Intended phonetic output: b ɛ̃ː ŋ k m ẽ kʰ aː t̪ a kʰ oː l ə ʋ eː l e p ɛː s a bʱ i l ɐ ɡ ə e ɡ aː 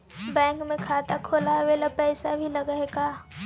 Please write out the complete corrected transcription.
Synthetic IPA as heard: b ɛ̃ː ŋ k m ẽ kʰ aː t̪ a kʰ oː l a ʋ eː l a p ɛː s a bʱ i l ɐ ɡ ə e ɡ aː